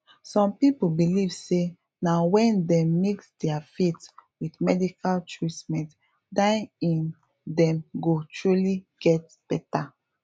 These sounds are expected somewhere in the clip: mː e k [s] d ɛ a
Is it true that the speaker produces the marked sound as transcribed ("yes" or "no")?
yes